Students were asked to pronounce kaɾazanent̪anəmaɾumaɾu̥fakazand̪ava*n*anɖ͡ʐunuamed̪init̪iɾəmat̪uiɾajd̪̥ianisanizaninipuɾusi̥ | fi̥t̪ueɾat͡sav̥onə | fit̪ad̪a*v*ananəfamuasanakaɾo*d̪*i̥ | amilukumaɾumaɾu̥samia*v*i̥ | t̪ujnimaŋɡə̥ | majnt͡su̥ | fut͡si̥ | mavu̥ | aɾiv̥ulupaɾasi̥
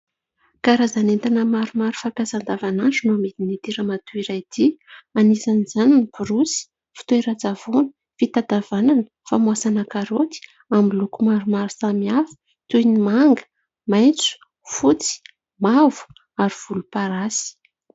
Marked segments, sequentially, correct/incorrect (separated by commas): correct, correct, incorrect, incorrect